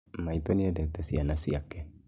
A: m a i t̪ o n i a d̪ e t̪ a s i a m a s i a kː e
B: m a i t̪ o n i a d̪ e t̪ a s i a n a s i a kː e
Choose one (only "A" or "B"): B